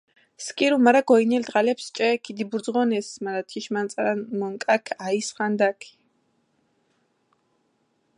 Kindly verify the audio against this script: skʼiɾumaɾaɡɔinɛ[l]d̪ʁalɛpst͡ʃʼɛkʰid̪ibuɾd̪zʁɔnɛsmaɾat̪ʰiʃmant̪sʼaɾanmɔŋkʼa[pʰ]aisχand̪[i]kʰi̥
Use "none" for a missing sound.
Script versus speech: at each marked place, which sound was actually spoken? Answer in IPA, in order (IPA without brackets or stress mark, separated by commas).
l, kʰ, a